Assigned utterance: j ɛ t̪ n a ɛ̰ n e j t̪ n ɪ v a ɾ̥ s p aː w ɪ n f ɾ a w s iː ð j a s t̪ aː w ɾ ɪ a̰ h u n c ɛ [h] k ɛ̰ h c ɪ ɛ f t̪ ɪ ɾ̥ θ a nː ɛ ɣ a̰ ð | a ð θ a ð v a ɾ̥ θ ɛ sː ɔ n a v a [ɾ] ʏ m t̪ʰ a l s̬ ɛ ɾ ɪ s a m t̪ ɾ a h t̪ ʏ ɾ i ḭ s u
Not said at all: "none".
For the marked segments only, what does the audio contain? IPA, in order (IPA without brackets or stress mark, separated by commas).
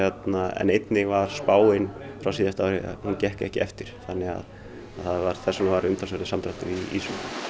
h, ɾ